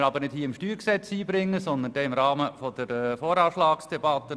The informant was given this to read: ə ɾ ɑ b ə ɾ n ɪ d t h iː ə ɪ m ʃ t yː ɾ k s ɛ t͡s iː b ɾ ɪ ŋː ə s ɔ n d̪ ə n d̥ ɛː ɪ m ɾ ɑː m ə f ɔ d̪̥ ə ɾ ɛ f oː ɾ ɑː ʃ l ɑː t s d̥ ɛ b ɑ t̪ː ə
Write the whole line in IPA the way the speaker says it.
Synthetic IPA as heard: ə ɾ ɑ b ə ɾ n ɪ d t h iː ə ɪ m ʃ t yː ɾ k s ɛ t͡s iː b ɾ ɪ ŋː ə s ɔ n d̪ ə n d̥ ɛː ɪ m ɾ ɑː m ə f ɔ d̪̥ ə ɾ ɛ f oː ɾ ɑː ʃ l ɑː k s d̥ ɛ b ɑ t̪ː ə